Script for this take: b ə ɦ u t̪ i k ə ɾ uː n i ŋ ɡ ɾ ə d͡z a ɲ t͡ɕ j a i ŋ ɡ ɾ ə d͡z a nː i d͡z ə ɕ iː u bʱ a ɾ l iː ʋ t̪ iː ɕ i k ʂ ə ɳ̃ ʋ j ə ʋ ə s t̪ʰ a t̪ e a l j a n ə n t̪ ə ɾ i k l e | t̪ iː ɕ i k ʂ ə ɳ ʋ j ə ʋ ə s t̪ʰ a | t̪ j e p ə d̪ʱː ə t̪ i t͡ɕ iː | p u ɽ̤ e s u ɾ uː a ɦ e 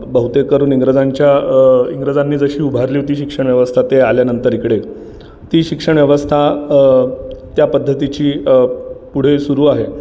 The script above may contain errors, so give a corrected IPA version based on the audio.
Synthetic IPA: b ə ɦ u t̪ e k ə ɾ uː n i ŋ ɡ ɾ ə d͡z a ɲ t͡ɕ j a i ŋ ɡ ɾ ə d͡z a nː iː d͡z ə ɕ iː u bʱ a ɾ l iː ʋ t̪ iː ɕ i k ʂ ə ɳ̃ ʋ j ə ʋ ə s t̪ʰ a t̪ e a l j a n ə n t̪ ə ɾ i k ɽ e | t̪ iː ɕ i k ʂ ə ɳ ʋ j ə ʋ ə s t̪ʰ a | t̪ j a p ə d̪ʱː ə t̪ i t͡ɕ iː | p u ɽ̤ e s u ɾ uː a ɦ e